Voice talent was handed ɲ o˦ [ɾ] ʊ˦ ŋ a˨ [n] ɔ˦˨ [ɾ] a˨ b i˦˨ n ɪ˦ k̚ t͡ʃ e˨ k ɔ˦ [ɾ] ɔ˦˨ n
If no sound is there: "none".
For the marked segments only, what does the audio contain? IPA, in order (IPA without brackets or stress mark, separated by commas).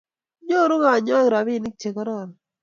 ɾ, ɲ, ɾ, ɾ